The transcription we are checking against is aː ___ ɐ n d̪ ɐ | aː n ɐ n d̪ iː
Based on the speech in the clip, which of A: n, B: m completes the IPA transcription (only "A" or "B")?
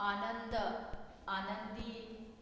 A